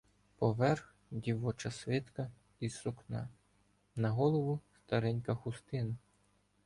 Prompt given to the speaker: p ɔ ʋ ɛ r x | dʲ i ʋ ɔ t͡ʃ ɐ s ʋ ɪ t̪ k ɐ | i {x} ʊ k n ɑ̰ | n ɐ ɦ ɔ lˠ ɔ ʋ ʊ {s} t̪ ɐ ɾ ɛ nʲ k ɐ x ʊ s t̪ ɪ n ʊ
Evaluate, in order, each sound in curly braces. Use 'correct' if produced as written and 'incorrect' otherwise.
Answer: incorrect: s, correct

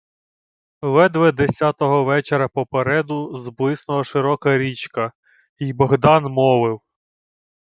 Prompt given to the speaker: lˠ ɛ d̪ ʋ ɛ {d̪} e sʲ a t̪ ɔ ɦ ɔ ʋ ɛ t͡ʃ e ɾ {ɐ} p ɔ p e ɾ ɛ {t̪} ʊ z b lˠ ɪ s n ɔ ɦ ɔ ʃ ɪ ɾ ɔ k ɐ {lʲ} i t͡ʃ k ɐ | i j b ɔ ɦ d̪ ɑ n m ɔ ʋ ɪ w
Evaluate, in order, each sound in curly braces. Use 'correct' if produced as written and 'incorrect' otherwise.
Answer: correct, correct, incorrect: d̪, incorrect: ɾʲ

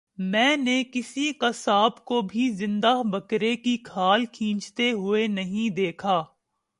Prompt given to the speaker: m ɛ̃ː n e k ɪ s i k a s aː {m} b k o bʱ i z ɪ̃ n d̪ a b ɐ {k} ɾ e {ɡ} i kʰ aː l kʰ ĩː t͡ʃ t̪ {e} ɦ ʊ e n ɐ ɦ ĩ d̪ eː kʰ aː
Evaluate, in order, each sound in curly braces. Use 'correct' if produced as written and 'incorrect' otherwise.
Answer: incorrect: none, correct, incorrect: k, correct

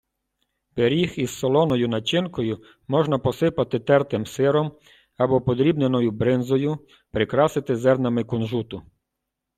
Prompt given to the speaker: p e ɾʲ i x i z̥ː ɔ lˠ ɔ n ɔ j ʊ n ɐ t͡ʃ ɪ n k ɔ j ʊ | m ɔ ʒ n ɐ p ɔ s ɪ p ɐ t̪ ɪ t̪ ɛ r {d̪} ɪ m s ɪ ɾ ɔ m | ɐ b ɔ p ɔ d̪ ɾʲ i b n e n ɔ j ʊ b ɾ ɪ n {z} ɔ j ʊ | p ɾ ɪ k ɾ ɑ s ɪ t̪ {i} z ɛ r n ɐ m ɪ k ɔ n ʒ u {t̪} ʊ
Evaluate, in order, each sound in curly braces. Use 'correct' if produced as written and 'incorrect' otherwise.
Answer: incorrect: t̪, correct, incorrect: ɪ, correct

